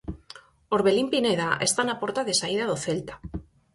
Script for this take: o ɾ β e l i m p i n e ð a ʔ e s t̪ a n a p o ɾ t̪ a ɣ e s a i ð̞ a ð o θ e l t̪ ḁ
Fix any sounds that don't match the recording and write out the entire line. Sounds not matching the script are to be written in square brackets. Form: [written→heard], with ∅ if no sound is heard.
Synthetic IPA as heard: o ɾ β e l i m p i n e ð a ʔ e s t̪ a n a p o ɾ t̪ a [ɣ→ð] e s a i ð̞ a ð o θ e l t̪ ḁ